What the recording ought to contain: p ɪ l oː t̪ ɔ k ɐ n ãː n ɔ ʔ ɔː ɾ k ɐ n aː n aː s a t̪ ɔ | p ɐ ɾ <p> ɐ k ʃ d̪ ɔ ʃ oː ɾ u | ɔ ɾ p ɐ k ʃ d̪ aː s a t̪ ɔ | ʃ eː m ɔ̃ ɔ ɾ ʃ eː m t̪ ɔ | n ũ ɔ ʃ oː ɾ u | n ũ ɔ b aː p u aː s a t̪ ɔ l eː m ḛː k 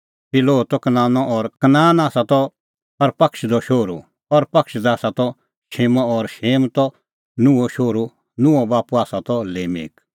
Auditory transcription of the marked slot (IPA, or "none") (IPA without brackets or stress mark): p